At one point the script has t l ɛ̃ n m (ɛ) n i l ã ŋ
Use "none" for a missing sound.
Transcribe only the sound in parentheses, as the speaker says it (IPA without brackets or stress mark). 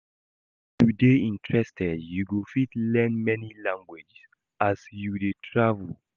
ɛ